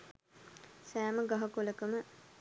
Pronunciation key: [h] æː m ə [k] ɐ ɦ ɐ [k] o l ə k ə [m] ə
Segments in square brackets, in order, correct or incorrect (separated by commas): incorrect, incorrect, correct, correct